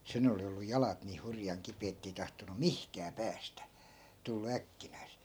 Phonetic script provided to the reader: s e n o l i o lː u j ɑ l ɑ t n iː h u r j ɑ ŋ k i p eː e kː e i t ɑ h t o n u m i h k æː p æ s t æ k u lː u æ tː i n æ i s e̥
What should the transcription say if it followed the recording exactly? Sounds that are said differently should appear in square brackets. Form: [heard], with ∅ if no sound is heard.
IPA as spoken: s e n o l i o lː u j ɑ l ɑ t n iː h u r j ɑ ŋ k i p eː e [tː] e i t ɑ h t o n u m i h k æː p [æː] s t æ [t] u lː u æ [kː] i n æ i s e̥